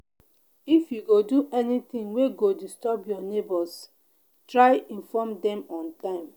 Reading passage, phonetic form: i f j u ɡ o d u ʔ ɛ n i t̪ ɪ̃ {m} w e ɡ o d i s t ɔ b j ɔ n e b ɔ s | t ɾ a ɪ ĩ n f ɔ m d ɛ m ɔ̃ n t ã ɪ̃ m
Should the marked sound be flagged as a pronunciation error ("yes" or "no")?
yes